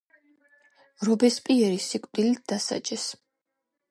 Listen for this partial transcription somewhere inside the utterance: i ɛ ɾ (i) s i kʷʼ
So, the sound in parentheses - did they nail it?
yes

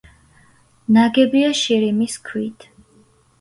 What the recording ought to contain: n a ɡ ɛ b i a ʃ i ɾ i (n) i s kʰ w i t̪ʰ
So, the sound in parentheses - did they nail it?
no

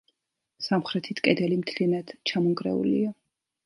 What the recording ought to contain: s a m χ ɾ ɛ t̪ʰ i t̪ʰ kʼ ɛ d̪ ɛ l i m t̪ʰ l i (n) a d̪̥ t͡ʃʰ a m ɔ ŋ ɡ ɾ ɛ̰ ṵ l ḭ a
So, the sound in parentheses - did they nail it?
yes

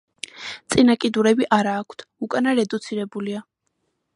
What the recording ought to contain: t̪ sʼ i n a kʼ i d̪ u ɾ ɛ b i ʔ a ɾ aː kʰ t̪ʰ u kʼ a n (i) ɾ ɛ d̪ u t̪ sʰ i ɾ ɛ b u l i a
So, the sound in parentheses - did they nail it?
no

